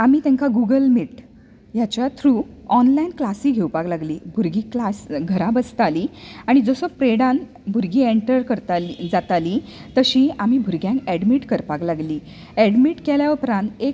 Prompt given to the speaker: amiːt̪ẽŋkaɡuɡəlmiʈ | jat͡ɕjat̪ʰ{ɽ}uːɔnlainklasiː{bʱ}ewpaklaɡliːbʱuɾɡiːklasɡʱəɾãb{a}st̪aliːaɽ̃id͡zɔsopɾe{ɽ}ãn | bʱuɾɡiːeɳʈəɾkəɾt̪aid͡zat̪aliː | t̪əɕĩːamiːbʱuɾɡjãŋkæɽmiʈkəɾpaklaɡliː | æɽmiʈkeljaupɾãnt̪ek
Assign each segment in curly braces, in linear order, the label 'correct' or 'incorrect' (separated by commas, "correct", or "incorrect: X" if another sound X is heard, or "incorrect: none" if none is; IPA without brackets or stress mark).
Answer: incorrect: ɾ, incorrect: ɡʱ, incorrect: ə, correct